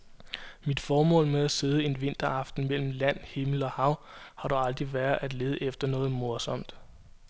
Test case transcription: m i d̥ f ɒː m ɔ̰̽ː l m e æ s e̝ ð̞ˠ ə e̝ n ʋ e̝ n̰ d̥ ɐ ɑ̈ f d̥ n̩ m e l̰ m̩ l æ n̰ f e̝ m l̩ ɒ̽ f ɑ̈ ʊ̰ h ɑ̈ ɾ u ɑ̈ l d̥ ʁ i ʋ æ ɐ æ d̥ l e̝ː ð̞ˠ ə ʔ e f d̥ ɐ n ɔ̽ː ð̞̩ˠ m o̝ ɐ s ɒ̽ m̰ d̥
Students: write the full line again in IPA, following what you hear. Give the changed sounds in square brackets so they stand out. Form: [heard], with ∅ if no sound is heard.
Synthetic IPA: m i d̥ f ɒː m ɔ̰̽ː l m e æ s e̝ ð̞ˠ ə e̝ n ʋ e̝ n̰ d̥ ɐ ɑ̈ f d̥ n̩ m e l̰ m̩ l æ n̰ [h] e̝ m l̩ ɒ̽ [h] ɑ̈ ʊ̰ h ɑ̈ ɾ u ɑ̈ l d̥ ʁ i ʋ æ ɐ æ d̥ l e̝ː ð̞ˠ ə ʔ e f d̥ ɐ n ɔ̽ː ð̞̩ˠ m o̝ ɐ s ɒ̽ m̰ d̥